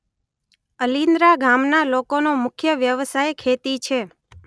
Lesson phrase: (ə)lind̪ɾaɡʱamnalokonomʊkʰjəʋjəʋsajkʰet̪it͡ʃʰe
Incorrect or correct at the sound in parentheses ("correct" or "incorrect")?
correct